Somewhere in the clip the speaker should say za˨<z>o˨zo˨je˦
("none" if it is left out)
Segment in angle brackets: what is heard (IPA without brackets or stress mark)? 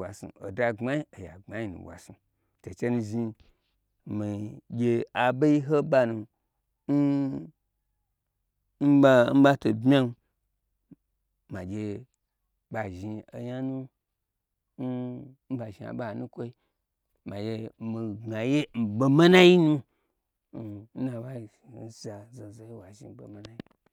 z